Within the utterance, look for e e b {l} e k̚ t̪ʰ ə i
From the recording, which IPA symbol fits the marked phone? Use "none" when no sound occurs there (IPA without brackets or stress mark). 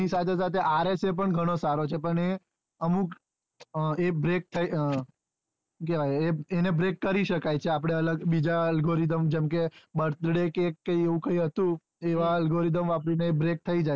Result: ɾ